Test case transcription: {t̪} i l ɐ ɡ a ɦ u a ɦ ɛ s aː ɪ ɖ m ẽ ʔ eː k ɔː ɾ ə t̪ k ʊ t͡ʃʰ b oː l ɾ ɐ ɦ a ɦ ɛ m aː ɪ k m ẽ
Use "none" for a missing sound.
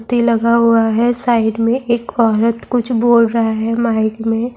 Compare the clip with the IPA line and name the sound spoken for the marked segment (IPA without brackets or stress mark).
t̪